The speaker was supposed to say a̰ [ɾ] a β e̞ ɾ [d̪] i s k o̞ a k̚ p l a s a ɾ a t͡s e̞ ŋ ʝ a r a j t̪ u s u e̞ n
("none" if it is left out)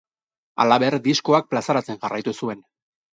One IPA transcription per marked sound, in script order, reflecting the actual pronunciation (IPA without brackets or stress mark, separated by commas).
l, d̪